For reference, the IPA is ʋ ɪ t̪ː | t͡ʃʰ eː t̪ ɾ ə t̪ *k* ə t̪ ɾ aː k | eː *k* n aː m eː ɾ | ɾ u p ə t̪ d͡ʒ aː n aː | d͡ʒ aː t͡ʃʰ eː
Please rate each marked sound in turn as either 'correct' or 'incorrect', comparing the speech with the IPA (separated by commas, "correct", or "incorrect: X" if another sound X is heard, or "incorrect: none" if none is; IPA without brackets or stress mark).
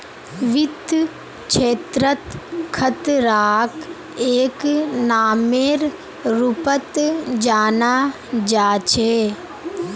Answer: incorrect: kʰ, correct